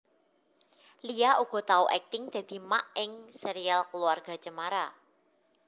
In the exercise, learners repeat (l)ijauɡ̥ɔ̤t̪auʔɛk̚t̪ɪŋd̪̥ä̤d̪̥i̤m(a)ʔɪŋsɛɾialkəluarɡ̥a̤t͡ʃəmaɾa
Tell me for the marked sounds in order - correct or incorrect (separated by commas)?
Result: correct, correct